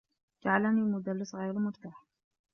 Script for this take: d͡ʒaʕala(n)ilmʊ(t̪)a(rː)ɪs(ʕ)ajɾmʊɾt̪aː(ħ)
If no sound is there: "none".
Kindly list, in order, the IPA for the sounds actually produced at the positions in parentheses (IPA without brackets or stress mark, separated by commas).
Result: n, d̪, lː, ɣ, ħ